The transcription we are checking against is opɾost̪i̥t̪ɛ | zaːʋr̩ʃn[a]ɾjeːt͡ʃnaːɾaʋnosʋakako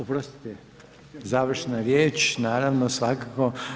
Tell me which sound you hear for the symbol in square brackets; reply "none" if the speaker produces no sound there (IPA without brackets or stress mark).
a